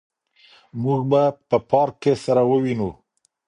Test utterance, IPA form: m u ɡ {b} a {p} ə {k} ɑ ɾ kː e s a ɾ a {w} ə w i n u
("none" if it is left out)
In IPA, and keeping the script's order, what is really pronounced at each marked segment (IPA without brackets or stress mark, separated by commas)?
b, p, p, w